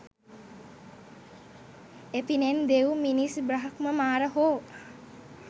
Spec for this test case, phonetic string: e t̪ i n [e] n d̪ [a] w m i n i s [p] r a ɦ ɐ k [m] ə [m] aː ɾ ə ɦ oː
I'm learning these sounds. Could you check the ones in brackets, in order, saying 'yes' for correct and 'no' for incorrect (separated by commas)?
yes, no, no, yes, yes